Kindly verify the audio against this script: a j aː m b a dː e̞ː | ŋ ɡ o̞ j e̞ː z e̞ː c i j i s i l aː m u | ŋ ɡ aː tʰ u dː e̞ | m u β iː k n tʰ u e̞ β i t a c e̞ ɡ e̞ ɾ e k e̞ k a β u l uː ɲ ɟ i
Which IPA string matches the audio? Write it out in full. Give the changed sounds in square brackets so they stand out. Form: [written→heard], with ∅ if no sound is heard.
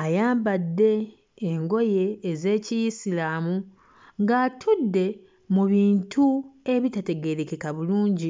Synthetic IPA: a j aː m b a dː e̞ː | ŋ ɡ o̞ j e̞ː z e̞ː c i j i s i l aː m u | ŋ ɡ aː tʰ u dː e̞ | m u β iː [k→∅] n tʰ u e̞ β i t a [c→t] e̞ ɡ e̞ ɾ e k e̞ k a β u l uː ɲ ɟ i